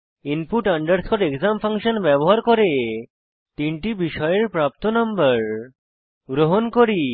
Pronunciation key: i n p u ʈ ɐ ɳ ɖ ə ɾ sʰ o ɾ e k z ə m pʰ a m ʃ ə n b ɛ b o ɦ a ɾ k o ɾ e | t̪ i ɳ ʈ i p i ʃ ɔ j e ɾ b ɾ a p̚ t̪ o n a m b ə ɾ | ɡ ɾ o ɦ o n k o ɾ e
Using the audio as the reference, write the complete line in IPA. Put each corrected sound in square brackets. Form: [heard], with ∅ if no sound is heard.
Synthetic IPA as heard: i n p u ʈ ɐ ɳ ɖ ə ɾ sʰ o ɾ e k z [a] m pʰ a [ŋ] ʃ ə n b ɛ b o ɦ a ɾ k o ɾ e | t̪ i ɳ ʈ i [b] i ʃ ɔ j e ɾ [p] ɾ a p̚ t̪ o n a m b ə ɾ | ɡ ɾ o ɦ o n k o ɾ [i]